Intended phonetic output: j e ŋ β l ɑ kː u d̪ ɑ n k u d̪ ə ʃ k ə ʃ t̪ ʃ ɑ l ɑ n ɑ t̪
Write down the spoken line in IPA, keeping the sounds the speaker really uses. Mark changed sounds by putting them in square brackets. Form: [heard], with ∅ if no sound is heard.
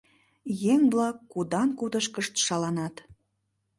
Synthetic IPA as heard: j e ŋ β l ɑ kː u d̪ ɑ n k u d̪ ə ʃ k ə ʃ t̪ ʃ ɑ l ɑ n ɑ t̪